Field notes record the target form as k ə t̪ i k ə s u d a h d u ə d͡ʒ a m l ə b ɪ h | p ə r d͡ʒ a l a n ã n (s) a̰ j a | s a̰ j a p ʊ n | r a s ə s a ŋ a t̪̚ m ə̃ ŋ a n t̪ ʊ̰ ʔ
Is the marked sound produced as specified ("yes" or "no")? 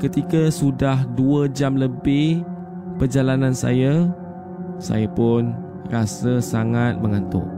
yes